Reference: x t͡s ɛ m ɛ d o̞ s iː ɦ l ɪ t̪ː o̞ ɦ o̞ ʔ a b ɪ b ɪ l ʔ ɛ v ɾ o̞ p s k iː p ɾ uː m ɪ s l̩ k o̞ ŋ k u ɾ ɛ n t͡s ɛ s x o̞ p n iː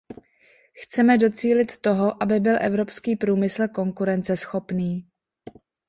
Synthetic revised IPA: x t͡s ɛ m ɛ d o̞ t͡s iː l ɪ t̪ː o̞ ɦ o̞ ʔ a b ɪ b ɪ l ʔ ɛ v ɾ o̞ p s k iː p ɾ uː m ɪ s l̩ k o̞ ŋ k u ɾ ɛ n t͡s ɛ s x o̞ p n iː